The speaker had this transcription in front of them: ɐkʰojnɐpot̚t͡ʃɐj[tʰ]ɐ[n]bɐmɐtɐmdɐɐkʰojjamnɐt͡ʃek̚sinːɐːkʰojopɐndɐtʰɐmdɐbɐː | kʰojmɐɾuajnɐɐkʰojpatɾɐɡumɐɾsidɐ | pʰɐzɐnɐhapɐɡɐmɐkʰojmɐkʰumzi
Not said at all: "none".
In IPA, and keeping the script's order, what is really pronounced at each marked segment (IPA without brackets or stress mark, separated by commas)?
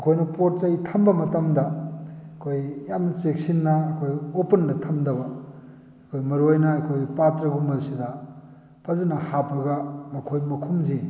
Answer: tʰ, m